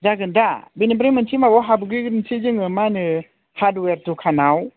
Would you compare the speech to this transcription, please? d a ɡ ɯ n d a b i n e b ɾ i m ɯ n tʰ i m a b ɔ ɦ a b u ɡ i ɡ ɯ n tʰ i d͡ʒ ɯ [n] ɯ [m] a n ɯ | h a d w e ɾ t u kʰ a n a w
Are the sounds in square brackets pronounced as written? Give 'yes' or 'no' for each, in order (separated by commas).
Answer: no, yes